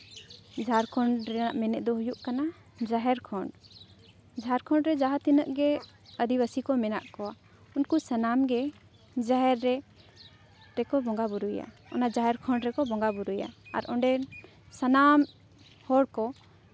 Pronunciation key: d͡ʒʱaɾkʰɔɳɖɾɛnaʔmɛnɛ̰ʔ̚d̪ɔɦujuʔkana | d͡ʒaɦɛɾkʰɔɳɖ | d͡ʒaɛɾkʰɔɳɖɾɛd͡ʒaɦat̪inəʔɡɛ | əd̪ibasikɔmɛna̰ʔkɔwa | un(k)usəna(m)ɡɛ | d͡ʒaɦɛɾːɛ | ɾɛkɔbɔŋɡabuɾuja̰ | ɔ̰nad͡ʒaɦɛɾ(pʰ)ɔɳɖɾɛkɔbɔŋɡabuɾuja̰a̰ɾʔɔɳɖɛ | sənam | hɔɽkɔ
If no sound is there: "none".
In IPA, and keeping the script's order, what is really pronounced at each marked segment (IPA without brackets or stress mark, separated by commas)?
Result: k, m, kʰ